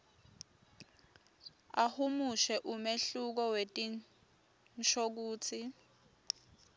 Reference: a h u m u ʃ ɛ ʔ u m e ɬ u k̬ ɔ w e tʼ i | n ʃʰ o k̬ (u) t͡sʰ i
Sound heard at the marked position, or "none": uː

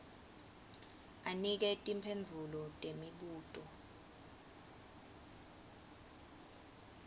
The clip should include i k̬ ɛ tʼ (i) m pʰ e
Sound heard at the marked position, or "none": i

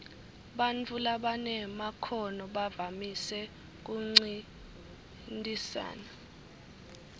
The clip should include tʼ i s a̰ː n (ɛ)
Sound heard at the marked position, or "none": a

